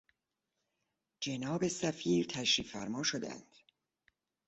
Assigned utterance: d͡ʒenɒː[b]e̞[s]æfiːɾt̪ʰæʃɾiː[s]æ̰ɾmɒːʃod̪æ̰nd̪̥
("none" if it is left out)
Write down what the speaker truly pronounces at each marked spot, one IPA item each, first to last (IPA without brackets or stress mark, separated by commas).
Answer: b, s, f